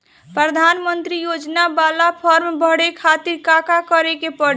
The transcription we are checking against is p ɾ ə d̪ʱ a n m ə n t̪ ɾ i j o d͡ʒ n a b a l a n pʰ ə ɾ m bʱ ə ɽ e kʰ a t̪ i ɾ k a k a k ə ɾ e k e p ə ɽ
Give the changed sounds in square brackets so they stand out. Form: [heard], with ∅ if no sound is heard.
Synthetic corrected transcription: p ɾ ə d̪ʱ a n m ə n t̪ ɾ i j o d͡ʒ n a b a l a [∅] pʰ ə ɾ m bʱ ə ɽ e kʰ a t̪ i ɾ k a k a k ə ɾ e k e p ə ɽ

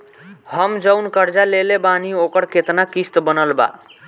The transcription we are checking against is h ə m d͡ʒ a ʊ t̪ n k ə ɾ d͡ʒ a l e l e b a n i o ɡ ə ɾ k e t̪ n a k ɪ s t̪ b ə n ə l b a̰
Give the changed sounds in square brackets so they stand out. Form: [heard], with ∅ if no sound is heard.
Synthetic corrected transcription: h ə m d͡ʒ [ə] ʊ [∅] n k ə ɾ d͡ʒ a l e l e b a n i o [k] ə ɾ k e t̪ n a k [i] s t̪ b ə n ə l b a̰

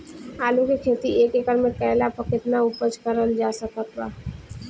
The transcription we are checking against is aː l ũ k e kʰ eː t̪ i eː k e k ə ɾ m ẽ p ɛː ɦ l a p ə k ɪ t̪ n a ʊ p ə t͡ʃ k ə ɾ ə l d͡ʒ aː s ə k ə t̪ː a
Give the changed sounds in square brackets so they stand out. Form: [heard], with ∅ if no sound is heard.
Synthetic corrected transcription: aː l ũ k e kʰ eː t̪ i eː k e k ə ɾ m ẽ p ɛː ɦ l a p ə k ɪ t̪ n a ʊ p ə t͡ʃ k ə ɾ ə l d͡ʒ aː s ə k ə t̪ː a

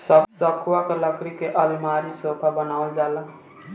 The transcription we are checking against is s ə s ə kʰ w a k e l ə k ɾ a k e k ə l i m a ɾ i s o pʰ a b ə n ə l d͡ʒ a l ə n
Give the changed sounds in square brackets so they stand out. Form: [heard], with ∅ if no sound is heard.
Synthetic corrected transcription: s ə s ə kʰ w a k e l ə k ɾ [i] k e [ʔ] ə l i m a ɾ i s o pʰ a b ə n [a] l d͡ʒ a l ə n

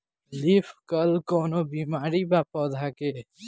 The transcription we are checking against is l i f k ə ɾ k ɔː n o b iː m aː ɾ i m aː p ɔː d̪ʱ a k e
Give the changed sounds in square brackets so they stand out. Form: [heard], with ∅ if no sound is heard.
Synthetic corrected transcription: l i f k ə [l] k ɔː n o b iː m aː ɾ i [b] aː p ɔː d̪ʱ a k e

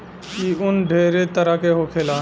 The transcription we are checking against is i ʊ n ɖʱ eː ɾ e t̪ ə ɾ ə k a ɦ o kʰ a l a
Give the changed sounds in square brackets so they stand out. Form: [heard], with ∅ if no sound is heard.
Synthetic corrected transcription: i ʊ n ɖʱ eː ɾ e t̪ ə ɾ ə k [e] ɦ o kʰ [e] l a

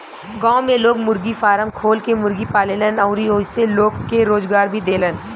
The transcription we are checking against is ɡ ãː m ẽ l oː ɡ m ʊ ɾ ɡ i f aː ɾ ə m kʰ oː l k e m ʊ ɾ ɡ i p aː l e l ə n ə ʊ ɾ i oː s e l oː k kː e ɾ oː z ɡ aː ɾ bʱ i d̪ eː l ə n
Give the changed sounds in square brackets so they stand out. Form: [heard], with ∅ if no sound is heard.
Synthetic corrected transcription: ɡ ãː m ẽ l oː ɡ m ʊ ɾ ɡ i f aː ɾ ə m kʰ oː l k e m ʊ ɾ ɡ i p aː l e l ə n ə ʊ ɾ i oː s e l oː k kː e ɾ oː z ɡ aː ɾ bʱ i d̪ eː l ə n

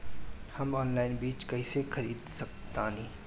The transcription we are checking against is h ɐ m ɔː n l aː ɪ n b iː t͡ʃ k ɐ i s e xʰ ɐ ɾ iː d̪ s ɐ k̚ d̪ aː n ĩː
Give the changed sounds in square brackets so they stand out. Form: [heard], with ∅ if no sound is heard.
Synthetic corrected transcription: h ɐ m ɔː n l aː ɪ n b iː t͡ʃ k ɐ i s e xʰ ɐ ɾ iː d̪ s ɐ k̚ [t̪] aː n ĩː

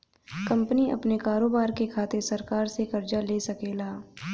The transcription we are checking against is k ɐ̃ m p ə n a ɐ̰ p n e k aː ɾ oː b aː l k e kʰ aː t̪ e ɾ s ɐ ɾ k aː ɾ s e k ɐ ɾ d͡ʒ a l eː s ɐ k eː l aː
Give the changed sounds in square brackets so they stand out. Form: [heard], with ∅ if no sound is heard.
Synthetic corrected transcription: k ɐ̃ m p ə n [i] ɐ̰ p n e k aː ɾ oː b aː [ɾ] k e kʰ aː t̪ e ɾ s ɐ ɾ k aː ɾ s e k ɐ ɾ d͡ʒ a l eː s ɐ k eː l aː

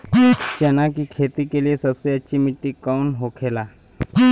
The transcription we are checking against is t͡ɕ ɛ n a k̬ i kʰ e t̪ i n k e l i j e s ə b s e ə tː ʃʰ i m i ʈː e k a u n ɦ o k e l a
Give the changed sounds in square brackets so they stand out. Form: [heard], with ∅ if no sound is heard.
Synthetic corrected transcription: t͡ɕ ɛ n a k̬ i kʰ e t̪ i [∅] k e l i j e s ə b s e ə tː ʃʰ i m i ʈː [i] k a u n ɦ o [kʰ] e l a

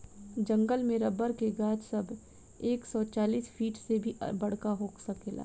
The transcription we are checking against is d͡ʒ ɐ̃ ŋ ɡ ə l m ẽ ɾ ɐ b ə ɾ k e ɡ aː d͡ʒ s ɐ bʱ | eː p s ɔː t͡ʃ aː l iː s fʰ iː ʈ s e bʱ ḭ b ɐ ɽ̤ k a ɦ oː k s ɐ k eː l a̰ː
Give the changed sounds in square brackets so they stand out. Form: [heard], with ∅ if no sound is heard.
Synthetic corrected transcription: d͡ʒ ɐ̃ ŋ ɡ ə l m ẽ ɾ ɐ b ə ɾ k e ɡ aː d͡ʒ s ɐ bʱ | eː [k] s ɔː t͡ʃ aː l iː s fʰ iː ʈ s e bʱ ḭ b ɐ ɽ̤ k a ɦ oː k s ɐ k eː l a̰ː

